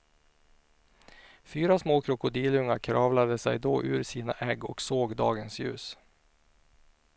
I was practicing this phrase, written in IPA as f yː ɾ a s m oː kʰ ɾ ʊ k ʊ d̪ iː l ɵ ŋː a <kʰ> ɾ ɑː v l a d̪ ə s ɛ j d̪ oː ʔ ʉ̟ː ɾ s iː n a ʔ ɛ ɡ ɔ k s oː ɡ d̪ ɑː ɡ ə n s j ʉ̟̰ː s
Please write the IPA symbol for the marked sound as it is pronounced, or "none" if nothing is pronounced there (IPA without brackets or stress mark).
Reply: kʰ